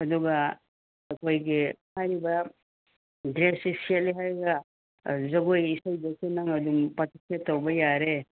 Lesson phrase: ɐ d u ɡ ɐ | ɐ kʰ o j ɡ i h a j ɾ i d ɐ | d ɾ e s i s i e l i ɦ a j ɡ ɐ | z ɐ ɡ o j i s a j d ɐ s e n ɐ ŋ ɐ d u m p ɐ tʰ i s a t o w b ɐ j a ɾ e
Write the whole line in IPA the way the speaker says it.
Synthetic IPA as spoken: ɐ d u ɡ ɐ | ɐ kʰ o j ɡ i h a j ɾ i b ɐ | d ɾ e s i s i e l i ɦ a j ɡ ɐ | z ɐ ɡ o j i s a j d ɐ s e n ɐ ŋ ɐ d u m p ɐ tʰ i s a t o w b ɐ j a ɾ e